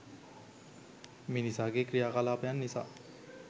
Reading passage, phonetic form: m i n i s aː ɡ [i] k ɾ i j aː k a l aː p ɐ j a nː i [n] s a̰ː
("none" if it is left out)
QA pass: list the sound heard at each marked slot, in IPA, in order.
e, none

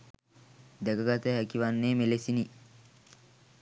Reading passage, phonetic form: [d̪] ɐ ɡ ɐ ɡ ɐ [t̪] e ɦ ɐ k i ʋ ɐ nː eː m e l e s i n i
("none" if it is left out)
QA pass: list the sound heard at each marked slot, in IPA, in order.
d̪, t̪

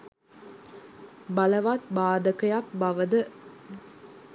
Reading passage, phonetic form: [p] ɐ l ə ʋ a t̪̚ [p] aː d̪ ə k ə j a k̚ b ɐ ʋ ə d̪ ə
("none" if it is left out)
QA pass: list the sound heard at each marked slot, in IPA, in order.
b, b

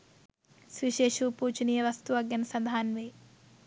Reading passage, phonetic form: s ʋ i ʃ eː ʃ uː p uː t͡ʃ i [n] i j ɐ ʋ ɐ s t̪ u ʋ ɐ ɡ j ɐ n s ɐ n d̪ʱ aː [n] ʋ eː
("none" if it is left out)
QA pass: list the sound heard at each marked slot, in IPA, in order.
n, n

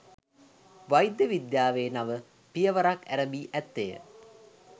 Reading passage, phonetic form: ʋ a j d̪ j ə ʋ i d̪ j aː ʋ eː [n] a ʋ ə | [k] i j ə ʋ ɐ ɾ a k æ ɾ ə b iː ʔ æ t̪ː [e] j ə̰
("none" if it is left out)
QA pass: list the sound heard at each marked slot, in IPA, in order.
n, p, e

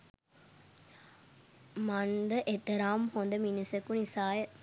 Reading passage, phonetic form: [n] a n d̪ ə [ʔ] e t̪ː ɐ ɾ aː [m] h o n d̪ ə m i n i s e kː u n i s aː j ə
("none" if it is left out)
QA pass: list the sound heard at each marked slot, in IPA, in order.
m, ʔ, m

